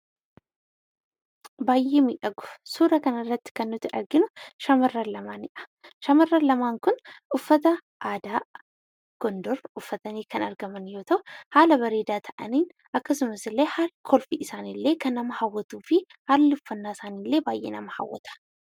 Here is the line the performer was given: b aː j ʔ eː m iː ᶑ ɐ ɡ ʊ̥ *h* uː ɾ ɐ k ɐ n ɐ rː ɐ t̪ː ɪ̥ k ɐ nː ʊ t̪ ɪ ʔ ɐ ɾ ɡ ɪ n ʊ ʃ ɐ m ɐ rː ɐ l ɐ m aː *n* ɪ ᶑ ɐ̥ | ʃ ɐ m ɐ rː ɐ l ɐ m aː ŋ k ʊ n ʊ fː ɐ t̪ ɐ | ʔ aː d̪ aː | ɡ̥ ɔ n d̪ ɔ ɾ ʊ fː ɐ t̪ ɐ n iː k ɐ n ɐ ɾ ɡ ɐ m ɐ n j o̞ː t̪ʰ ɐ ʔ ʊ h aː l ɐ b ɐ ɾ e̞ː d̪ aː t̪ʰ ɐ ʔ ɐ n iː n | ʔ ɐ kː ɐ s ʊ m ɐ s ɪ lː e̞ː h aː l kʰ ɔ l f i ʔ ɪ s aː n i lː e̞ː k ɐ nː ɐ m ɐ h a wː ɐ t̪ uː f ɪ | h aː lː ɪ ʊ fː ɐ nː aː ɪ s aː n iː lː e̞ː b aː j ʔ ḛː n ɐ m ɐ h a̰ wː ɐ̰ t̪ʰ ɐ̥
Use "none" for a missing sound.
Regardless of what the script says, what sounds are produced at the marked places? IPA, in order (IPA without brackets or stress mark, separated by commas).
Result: s, n